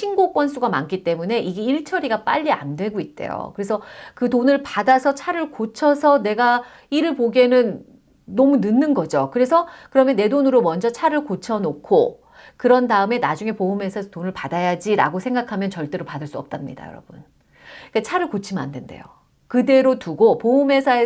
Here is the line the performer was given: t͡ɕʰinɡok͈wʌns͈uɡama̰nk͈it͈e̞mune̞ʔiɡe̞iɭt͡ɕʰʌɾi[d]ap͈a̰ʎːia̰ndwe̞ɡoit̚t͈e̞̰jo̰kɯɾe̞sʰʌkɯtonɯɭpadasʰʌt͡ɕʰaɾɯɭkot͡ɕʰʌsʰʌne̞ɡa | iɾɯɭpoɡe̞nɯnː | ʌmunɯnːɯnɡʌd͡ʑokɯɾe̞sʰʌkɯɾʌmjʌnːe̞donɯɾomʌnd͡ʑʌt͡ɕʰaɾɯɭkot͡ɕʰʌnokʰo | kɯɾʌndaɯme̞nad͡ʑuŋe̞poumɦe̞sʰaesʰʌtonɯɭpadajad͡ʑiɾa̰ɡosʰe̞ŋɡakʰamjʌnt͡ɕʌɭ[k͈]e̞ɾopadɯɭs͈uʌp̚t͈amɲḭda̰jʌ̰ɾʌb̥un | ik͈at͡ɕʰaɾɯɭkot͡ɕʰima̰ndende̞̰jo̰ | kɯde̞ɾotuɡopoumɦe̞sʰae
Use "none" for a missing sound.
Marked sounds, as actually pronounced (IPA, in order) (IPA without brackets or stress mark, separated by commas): ɡ, t͈